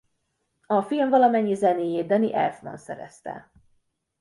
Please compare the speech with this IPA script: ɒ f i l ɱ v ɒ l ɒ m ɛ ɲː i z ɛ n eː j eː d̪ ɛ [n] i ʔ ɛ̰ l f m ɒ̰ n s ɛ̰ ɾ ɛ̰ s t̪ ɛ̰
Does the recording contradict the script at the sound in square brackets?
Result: no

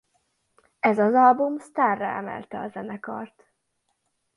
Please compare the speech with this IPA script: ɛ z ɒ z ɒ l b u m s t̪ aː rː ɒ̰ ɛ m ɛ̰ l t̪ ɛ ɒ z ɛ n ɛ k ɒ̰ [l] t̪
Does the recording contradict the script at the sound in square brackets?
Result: yes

